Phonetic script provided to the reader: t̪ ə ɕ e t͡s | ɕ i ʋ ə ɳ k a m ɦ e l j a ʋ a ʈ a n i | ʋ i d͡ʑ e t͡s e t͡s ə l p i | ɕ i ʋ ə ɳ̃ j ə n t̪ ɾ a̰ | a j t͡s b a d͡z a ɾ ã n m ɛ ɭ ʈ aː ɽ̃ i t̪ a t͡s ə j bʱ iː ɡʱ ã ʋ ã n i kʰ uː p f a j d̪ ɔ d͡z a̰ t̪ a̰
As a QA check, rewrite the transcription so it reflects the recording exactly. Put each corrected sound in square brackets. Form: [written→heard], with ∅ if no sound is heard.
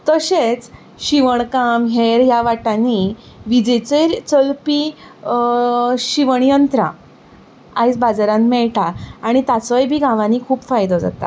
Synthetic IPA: t̪ ə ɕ e t͡s | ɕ i ʋ ə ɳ k a m ɦ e [l→ɾ] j a ʋ a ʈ a n i | ʋ i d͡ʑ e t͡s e t͡s ə l p i | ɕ i ʋ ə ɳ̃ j ə n t̪ ɾ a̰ | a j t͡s b a d͡z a ɾ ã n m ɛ ɭ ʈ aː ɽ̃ i t̪ a t͡s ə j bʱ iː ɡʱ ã ʋ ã n i kʰ uː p f a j d̪ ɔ d͡z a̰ t̪ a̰